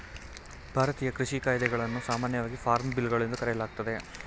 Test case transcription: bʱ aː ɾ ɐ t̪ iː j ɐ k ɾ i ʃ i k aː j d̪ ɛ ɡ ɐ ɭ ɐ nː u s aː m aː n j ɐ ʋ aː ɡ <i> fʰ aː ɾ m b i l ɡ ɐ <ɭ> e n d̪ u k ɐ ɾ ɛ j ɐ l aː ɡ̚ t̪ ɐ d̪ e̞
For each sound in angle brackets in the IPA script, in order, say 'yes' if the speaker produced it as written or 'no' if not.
yes, yes

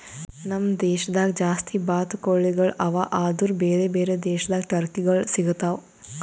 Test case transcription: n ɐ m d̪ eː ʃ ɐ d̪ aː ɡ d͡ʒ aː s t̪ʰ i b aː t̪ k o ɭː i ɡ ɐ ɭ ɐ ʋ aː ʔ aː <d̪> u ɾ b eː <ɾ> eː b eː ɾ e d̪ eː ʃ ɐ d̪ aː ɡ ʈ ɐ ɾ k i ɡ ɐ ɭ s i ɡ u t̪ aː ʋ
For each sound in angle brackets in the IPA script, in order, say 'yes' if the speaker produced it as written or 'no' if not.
yes, yes

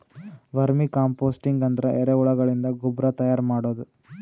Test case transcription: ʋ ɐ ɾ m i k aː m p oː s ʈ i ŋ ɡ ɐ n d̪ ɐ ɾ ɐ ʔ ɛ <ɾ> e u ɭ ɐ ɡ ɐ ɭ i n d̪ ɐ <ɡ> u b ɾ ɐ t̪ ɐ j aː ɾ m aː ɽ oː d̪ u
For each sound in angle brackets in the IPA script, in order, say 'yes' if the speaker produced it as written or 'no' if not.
yes, yes

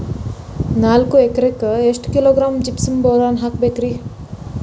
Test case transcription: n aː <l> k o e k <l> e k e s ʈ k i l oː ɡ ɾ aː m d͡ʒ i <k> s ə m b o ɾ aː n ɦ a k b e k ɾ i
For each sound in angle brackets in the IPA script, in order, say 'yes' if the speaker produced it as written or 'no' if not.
yes, no, no

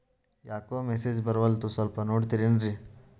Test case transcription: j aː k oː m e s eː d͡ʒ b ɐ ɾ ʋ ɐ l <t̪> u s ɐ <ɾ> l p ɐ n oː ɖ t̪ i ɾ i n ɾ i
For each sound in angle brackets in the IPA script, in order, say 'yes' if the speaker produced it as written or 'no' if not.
yes, no

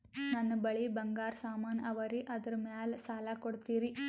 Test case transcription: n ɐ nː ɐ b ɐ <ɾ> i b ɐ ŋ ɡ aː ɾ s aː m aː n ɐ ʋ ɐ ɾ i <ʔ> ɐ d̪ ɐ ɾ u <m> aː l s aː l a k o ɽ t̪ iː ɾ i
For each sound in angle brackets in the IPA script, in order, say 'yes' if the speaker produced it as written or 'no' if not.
no, yes, yes

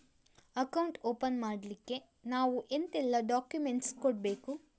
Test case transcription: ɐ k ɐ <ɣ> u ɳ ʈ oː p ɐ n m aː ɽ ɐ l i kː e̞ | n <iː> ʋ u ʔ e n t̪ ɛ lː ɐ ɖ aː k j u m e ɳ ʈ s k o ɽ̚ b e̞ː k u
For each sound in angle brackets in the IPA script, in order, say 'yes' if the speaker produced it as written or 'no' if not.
no, no

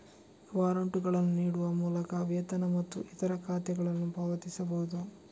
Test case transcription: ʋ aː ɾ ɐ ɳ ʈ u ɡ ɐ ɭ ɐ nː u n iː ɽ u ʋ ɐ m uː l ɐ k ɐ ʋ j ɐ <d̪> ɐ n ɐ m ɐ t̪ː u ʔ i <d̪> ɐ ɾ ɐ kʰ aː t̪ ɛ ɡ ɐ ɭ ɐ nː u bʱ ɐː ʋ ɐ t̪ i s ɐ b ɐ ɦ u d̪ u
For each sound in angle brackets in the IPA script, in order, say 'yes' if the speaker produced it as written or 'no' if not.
no, no

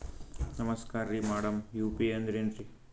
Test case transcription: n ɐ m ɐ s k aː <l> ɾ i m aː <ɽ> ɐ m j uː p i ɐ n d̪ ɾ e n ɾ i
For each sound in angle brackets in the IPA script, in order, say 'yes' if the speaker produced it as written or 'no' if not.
no, yes

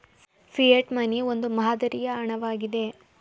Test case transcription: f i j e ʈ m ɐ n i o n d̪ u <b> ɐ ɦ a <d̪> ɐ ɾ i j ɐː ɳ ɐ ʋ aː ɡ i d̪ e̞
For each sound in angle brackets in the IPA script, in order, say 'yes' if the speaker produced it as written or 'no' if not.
no, yes

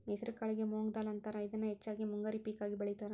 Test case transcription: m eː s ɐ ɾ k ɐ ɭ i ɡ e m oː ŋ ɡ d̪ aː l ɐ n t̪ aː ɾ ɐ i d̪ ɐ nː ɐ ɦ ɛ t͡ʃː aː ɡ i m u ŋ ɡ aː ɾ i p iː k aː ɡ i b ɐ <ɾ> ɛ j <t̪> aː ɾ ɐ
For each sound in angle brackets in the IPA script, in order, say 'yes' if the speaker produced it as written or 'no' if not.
no, yes

